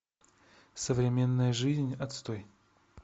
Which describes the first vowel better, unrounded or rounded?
unrounded